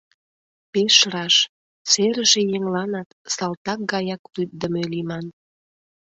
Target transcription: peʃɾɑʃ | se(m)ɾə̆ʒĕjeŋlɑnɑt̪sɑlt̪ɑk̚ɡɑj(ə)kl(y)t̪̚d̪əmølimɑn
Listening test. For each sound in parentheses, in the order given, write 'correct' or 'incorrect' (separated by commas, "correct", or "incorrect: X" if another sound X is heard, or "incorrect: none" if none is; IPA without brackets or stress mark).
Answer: incorrect: none, incorrect: ɑ, correct